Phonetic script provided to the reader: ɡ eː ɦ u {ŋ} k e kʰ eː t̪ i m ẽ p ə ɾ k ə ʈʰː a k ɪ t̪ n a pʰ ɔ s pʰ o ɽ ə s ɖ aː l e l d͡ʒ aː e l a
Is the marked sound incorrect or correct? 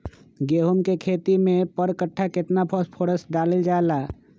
incorrect: m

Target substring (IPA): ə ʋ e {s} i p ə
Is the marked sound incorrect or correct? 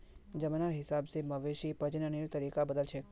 incorrect: ʃ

